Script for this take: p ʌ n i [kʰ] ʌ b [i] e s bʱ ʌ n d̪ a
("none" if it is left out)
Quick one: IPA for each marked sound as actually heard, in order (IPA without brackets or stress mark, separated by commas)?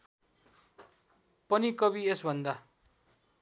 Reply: k, i